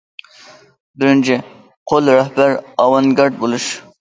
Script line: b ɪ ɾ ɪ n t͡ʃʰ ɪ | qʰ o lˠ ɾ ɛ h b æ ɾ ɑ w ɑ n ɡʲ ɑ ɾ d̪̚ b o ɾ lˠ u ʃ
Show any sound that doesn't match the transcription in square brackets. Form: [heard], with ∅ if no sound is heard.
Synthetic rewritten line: b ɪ ɾ ɪ n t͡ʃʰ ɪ | qʰ o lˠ ɾ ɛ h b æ ɾ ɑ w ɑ n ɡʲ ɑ ɾ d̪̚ b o [∅] lˠ u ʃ